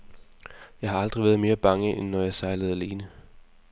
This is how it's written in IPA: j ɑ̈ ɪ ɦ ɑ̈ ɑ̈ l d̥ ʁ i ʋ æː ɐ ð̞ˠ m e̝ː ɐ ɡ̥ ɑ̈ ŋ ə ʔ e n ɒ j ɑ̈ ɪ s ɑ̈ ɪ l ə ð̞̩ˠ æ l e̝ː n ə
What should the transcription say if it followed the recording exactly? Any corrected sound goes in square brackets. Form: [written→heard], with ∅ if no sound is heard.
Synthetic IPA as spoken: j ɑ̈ ɪ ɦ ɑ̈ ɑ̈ l d̥ ʁ i ʋ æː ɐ ð̞ˠ m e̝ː ɐ [ɡ̥→b̥] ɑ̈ ŋ ə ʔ e [n→nː] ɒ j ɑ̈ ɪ s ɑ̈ ɪ l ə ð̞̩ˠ æ l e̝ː n ə